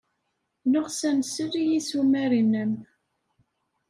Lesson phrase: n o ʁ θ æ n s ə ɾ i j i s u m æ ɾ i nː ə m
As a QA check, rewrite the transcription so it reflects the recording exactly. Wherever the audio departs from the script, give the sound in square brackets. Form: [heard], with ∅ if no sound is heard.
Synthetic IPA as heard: n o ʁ [s] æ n s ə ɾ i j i s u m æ ɾ i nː ə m